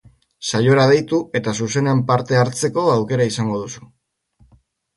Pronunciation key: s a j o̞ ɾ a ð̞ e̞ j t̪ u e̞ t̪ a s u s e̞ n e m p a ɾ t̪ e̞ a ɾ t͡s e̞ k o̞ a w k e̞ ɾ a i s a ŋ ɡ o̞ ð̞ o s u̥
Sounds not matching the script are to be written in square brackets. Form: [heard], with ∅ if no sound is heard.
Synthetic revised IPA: s a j o̞ ɾ a ð̞ e̞ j t̪ u e̞ t̪ a s u s e̞ n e m p a ɾ t̪ e̞ a ɾ t͡s e̞ k o̞ a w k e̞ ɾ a i s a ŋ ɡ o̞ ð̞ [u] s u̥